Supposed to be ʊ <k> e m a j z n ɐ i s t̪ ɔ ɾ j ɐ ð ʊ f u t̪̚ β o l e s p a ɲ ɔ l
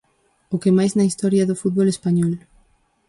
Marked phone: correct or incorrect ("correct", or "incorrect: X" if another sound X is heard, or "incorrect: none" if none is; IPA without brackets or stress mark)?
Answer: correct